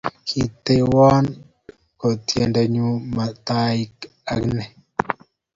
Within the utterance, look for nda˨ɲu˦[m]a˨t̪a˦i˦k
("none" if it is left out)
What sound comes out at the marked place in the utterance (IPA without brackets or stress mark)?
m